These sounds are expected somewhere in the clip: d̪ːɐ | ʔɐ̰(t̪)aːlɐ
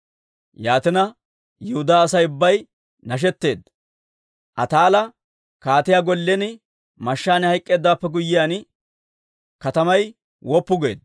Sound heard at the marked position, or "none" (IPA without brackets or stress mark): t̪